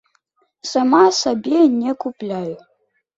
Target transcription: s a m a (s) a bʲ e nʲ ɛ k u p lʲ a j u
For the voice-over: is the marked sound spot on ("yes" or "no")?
yes